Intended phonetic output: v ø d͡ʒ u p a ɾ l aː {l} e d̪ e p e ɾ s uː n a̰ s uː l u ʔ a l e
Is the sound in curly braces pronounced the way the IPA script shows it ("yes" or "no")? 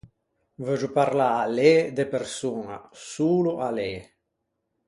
yes